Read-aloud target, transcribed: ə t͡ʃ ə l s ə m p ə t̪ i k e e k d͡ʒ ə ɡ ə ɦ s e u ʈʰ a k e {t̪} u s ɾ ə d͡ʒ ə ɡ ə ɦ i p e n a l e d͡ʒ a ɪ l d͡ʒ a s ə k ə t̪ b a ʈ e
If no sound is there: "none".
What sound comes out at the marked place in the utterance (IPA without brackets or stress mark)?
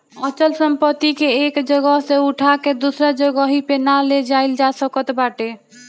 d̪